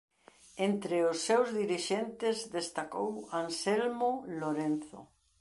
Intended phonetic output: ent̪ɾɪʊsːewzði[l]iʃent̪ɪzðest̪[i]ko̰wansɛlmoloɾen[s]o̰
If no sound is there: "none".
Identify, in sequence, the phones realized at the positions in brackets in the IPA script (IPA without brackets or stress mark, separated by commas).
ɾ, a, θ